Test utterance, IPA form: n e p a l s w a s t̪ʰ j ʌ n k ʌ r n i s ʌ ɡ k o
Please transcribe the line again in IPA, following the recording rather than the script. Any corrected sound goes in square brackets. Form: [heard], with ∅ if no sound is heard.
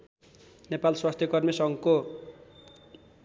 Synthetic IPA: n e p a l s w a s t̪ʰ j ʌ [∅] k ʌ r [m] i s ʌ [ŋ] k o